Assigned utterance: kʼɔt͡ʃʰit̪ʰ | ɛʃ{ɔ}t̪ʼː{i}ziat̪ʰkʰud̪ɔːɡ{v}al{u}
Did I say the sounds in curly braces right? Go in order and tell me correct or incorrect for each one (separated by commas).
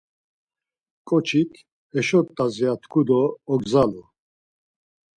correct, incorrect, incorrect, correct